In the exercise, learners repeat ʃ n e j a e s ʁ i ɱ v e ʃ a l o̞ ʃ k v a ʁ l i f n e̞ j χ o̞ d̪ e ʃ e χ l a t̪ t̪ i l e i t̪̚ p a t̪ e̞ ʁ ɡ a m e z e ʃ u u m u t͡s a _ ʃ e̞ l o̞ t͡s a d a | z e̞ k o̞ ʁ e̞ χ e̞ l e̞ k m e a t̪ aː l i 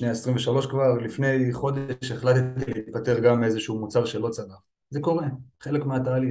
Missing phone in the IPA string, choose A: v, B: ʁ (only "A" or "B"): B